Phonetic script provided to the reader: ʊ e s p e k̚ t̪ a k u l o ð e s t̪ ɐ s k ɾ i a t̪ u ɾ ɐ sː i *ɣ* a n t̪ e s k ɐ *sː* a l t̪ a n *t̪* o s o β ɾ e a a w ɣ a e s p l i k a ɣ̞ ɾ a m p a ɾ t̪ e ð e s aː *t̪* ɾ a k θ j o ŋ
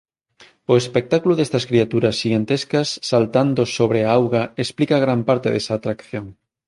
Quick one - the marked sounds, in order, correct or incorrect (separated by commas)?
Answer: correct, correct, incorrect, correct